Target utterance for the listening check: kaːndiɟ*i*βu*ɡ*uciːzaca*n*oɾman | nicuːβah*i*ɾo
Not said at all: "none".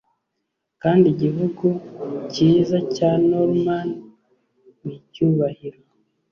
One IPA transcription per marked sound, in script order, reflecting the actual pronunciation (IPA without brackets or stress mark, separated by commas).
i, ɡ, n, i